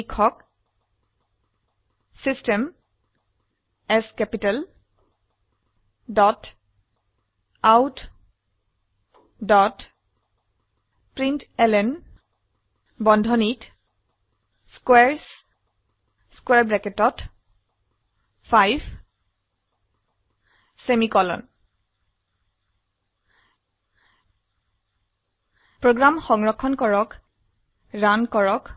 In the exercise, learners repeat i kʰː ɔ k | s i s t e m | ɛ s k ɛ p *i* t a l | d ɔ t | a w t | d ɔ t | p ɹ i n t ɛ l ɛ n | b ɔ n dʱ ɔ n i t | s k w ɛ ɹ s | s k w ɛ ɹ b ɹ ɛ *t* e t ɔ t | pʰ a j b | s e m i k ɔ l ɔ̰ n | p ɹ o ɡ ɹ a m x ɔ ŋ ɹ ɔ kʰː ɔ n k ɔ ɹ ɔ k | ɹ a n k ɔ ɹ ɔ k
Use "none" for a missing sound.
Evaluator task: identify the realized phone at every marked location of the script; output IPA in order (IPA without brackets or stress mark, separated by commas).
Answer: i, k